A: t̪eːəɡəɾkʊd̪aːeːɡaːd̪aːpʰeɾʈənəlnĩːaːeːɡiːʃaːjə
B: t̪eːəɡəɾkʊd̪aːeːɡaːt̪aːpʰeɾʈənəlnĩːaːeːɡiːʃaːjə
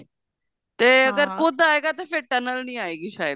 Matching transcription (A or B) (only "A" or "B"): B